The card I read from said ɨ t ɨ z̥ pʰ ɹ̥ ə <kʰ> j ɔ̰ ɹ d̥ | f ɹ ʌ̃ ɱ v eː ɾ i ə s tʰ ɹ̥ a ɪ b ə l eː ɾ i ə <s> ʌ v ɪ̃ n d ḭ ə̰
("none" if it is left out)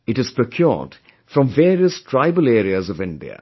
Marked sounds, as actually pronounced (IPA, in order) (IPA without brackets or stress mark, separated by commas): kʰ, z